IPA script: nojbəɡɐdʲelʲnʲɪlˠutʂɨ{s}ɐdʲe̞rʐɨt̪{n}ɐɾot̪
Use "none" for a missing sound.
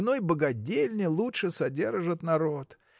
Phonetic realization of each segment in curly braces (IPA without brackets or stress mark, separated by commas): s, n